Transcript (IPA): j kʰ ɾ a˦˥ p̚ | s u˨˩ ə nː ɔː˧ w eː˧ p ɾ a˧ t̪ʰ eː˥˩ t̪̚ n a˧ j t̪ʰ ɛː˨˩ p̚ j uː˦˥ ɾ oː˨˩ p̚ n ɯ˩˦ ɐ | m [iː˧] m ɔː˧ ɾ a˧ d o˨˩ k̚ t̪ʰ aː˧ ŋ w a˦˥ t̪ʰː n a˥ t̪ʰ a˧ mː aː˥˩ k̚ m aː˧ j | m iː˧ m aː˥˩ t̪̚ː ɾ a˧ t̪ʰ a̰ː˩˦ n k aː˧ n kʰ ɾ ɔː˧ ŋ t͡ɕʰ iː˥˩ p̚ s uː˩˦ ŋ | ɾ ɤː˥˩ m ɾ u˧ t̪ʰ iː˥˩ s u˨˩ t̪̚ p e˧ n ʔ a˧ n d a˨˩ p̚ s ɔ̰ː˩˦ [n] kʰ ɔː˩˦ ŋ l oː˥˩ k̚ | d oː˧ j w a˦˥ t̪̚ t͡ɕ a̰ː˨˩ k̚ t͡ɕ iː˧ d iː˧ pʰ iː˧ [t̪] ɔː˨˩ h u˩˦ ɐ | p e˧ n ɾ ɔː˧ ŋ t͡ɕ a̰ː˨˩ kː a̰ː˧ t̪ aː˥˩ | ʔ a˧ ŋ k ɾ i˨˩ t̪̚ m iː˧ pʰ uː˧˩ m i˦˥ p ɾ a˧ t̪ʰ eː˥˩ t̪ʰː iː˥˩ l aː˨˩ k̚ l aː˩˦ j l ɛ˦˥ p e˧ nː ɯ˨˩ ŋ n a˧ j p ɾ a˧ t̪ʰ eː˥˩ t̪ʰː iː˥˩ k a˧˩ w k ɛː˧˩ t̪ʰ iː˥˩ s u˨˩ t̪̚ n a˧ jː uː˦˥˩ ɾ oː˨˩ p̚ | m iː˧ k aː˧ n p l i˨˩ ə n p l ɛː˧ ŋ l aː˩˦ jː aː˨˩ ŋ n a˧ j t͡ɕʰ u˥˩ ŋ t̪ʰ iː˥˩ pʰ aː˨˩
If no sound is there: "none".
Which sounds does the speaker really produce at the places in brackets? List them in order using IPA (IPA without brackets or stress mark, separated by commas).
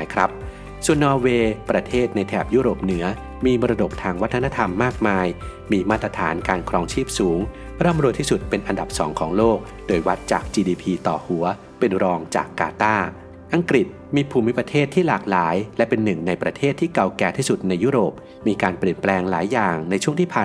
iː˧, ŋ, t̪